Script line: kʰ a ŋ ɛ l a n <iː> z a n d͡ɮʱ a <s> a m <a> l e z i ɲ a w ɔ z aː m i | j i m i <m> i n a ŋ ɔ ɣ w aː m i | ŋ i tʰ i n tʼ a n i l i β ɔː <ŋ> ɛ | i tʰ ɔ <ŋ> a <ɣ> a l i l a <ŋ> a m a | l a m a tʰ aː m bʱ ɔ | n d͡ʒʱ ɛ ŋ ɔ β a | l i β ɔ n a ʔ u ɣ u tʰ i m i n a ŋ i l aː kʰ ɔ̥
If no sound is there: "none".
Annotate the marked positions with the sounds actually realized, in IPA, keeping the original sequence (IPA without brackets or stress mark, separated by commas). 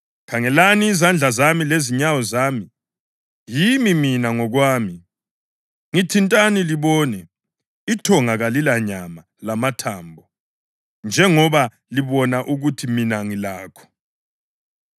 iː, z, i, m, n, ŋ, ɣ, ɲ